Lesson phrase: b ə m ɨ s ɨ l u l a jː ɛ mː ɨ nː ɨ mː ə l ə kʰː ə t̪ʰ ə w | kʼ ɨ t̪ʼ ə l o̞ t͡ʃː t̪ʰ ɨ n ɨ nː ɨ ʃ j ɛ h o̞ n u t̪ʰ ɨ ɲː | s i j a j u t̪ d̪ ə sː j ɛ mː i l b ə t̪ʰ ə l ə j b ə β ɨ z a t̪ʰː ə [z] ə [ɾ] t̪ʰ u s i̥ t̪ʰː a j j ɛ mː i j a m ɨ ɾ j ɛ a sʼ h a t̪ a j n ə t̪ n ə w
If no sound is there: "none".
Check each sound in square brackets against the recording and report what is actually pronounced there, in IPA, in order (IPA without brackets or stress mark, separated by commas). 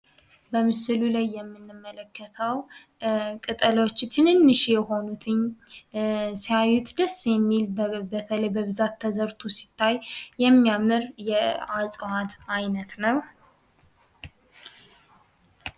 z, ɾ